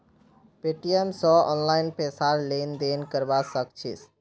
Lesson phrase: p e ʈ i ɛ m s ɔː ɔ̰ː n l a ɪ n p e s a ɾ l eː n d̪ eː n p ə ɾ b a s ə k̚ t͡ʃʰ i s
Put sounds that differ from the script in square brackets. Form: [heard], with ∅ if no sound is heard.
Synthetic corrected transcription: p e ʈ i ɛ m s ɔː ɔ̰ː n l a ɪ n p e s a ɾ l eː n d̪ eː n [k] ə ɾ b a s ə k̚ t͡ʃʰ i s